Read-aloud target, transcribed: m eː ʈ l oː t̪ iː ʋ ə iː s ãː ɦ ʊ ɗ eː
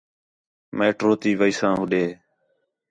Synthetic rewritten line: m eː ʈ ɾ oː t̪ iː ʋ ə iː s ãː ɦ ʊ ɗ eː